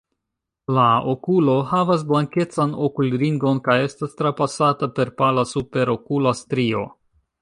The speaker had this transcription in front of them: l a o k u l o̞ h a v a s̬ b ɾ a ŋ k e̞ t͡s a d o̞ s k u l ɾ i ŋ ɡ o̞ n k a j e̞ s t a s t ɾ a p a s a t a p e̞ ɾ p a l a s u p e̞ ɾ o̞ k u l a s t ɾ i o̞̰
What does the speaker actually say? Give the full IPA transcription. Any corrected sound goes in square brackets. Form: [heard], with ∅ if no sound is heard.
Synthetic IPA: l a o k u l o̞ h a v a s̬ b [l] a ŋ k e̞ t͡s a [n] o̞ [∅] k u l ɾ i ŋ ɡ o̞ n k a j e̞ s t a s t ɾ a p a s a t a p e̞ ɾ p a l a s u p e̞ ɾ o̞ k u l a s t ɾ i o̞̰